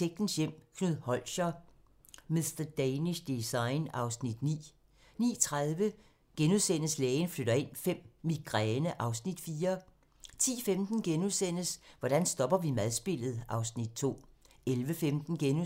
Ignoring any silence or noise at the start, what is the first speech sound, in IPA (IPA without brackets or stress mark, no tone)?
e